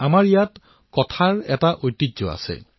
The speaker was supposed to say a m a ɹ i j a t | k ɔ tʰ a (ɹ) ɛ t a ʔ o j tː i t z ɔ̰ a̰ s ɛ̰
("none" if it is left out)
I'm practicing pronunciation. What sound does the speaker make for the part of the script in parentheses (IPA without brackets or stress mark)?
ɹ